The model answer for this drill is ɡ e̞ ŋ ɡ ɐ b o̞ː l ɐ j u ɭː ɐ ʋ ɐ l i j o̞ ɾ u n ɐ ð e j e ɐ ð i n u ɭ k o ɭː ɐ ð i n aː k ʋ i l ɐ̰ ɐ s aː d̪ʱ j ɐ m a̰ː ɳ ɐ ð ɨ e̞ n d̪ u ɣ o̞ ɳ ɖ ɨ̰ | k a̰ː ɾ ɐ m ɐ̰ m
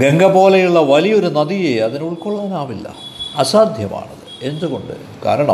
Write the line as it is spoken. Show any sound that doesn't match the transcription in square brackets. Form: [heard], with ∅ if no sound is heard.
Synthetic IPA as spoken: ɡ e̞ ŋ ɡ ɐ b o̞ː l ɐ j u ɭː ɐ ʋ ɐ l i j o̞ ɾ u n ɐ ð [i] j e ɐ ð i n u ɭ k o ɭː ɐ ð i n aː [∅] ʋ i [lː] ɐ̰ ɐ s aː d̪ʱ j ɐ m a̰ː ɳ ɐ ð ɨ e̞ n d̪ u ɣ o̞ ɳ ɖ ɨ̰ | k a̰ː ɾ ɐ [ɳ] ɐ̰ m